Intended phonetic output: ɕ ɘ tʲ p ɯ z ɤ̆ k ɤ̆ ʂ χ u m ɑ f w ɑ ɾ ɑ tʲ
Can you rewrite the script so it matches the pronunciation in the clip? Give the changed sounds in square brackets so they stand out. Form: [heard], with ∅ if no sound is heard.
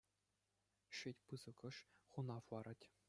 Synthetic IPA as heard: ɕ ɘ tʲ p ɯ z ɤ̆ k ɤ̆ ʂ χ u [n] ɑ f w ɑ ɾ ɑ tʲ